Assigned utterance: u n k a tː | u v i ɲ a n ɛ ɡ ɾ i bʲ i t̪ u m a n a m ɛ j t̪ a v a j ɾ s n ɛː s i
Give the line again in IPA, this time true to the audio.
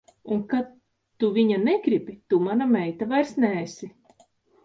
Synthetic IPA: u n k a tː | u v i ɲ a n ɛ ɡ ɾ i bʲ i t̪ u m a n a m ɛ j t̪ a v a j ɾ s n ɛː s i

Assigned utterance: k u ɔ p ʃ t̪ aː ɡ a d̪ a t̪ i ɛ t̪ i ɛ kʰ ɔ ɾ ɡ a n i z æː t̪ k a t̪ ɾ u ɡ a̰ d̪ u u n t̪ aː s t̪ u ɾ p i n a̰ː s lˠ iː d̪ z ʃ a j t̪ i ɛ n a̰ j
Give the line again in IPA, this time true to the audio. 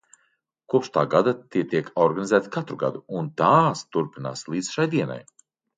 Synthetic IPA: k u ɔ p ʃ t̪ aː ɡ a d̪ a t̪ i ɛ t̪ i ɛ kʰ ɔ ɾ ɡ a n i z æː t̪ k a t̪ ɾ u ɡ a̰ d̪ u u n t̪ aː s t̪ u ɾ p i n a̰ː s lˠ iː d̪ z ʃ a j d̪ i ɛ n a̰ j

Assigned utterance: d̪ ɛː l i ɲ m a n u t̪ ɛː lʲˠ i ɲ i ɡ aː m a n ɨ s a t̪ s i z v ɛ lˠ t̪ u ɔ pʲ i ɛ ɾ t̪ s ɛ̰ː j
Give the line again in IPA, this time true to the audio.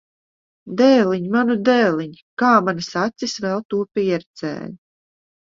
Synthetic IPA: d̪ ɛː l i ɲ m a n u d̪ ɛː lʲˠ i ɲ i k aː m a n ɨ s a t̪ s i s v ɛ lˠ t̪ u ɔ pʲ i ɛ ɾ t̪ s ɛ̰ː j

